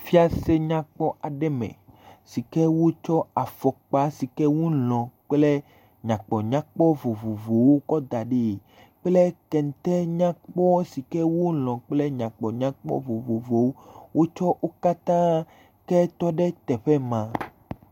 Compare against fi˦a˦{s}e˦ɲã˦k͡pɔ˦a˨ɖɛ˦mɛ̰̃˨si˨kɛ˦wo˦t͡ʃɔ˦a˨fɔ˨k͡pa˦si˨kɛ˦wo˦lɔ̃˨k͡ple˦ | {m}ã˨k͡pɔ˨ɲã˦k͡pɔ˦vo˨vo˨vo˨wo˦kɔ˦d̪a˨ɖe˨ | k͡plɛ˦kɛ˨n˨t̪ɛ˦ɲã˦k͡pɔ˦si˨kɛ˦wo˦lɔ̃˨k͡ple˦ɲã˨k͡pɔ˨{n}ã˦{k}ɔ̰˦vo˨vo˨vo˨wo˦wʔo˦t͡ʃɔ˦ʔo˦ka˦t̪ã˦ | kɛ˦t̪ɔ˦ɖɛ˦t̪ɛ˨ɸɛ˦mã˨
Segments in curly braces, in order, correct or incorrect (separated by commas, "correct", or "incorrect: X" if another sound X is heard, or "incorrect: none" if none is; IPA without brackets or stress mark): correct, incorrect: ɲ, incorrect: ɲ, incorrect: k͡p